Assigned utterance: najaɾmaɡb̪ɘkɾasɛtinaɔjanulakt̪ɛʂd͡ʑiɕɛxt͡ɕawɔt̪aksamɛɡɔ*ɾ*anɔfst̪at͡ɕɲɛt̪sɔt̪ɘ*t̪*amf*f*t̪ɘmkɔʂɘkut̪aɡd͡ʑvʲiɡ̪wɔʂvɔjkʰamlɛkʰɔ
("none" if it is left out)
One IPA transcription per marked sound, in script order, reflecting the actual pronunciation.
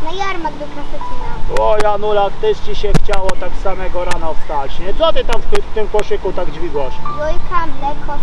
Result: ɾ, t̪, f

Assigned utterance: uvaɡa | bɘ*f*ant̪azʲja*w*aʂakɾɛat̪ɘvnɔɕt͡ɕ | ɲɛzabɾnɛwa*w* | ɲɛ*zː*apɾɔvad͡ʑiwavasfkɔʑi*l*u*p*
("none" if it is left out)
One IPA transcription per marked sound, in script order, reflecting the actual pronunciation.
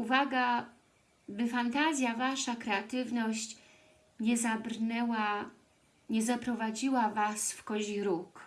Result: f, v, none, z, ɾ, k

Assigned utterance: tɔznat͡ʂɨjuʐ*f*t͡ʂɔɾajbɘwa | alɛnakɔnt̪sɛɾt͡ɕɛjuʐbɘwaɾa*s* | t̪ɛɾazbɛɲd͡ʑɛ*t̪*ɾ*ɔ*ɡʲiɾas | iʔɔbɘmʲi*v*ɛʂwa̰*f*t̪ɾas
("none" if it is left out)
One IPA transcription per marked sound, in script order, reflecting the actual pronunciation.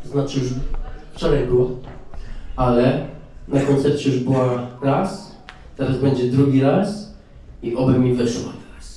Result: f, s, d̪, u, v, none

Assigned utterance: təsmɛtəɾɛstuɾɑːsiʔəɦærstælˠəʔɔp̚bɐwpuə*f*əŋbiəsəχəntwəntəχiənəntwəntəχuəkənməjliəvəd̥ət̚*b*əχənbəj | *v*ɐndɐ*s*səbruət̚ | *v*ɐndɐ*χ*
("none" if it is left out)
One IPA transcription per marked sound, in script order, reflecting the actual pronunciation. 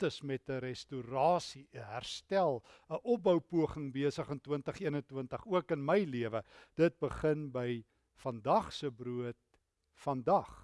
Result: χ, b, f, χ, f, χ

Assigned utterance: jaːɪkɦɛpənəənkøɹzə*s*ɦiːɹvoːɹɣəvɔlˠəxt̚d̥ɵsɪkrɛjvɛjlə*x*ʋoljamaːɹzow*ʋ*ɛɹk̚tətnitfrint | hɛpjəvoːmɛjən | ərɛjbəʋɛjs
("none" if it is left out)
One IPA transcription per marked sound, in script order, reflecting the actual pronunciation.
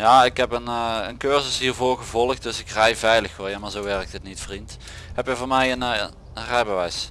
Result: s, x, ʋ

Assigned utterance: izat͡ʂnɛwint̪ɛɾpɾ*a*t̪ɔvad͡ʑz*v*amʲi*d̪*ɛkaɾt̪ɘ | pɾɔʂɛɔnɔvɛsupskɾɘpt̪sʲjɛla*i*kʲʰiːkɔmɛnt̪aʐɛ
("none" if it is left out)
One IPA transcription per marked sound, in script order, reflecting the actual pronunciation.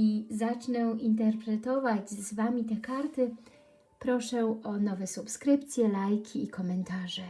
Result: ɛ, v, t̪, j

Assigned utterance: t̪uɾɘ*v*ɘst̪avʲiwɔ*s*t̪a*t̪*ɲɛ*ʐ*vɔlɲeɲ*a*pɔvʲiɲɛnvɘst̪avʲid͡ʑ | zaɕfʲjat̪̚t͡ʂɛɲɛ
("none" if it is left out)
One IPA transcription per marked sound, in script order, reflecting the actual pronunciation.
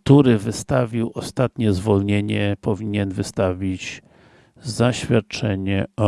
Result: v, s, t̪, z, ɛ

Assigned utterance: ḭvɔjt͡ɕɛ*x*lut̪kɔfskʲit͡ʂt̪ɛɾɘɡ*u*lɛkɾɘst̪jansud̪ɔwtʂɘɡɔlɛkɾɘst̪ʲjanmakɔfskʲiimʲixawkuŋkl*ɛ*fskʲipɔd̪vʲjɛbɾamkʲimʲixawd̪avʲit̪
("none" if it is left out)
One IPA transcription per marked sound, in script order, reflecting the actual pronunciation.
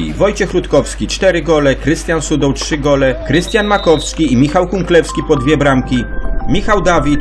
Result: x, ɔ, ɛ

